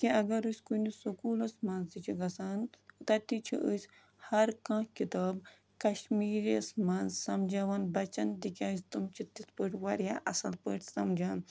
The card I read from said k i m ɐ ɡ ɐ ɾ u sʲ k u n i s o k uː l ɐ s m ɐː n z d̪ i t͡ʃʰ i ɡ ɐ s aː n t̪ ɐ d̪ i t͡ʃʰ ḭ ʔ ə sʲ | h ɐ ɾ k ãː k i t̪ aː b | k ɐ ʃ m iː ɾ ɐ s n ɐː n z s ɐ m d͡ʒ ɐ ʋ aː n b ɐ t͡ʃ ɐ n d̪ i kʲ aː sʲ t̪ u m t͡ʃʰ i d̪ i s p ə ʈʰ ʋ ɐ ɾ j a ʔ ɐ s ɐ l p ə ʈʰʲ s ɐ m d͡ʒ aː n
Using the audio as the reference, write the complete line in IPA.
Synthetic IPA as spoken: k i ɐ ɡ ɐ ɾ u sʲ k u n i s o k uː l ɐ s m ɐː n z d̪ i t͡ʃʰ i ɡ ɐ s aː n t̪ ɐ t̪ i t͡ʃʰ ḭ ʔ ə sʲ | h ɐ ɾ k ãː k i t̪ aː b | k ɐ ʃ m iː ɾ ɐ s m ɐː n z s ɐ m d͡ʒ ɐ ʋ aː n b ɐ t͡ʃ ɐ n d̪ i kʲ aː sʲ t̪ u m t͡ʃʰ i t̪ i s p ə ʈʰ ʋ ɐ ɾ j a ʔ ɐ s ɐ l p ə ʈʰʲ s ɐ m d͡ʒ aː n